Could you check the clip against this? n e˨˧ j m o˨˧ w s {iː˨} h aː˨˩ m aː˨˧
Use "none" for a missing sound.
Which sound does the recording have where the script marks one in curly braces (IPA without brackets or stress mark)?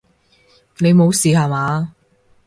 iː˨